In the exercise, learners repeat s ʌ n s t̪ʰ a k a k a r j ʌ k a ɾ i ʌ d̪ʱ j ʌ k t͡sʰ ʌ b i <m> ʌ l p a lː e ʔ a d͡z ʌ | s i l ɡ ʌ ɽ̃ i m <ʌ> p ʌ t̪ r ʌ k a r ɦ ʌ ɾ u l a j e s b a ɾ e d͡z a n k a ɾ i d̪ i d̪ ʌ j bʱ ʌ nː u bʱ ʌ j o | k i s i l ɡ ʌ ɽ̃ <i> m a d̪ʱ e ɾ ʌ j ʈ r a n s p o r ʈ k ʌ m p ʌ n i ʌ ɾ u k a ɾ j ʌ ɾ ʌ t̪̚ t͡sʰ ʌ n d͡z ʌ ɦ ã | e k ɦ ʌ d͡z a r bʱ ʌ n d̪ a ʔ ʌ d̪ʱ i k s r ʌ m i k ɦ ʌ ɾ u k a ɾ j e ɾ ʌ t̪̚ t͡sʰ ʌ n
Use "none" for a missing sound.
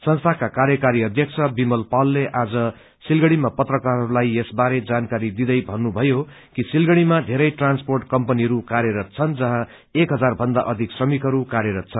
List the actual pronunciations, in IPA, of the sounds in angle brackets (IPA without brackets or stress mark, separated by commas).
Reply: m, a, i